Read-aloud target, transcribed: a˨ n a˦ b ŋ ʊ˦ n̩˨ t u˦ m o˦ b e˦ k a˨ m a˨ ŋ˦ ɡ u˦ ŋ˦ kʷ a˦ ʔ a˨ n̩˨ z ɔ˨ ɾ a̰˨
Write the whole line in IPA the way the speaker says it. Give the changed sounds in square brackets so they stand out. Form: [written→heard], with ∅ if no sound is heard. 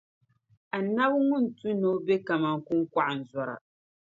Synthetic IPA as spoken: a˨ n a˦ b ŋ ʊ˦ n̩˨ t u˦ [m→n] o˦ b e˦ k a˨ m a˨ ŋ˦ [ɡ→k] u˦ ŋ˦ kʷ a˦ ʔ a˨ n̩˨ z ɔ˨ ɾ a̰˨